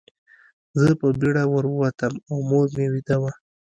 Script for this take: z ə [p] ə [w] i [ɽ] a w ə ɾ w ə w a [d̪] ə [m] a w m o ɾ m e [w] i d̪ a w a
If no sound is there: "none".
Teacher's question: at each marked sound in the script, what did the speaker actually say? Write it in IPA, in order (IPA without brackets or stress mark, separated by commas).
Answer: p, b, ɽ, t̪, m, w